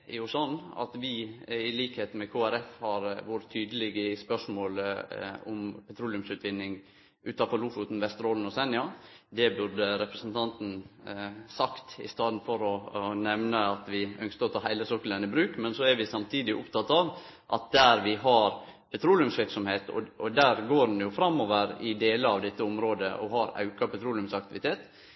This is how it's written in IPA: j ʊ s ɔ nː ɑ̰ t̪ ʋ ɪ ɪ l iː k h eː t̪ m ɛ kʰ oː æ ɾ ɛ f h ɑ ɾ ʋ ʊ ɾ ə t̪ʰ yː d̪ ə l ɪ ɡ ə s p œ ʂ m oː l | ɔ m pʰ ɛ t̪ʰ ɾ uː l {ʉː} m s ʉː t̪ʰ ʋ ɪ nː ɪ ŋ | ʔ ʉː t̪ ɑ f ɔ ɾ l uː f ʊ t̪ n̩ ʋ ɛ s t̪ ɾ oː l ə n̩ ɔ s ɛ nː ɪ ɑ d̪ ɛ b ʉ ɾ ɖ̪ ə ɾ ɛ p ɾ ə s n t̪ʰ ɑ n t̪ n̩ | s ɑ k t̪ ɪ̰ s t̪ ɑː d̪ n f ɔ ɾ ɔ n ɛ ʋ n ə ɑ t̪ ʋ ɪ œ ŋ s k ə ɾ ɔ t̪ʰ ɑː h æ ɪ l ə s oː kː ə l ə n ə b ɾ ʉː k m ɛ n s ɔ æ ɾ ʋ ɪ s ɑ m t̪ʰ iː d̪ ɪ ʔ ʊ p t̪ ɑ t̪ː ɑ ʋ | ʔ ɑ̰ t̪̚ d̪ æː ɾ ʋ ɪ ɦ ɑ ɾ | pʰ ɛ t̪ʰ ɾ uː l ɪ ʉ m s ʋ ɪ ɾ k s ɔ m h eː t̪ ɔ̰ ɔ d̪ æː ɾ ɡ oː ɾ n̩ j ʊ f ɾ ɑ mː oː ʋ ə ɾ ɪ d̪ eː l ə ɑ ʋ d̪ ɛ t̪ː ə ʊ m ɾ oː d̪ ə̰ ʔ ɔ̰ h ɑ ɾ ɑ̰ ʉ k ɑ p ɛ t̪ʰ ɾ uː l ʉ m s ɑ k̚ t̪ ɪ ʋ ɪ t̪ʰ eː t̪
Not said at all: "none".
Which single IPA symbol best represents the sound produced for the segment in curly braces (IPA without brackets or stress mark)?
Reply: ʉ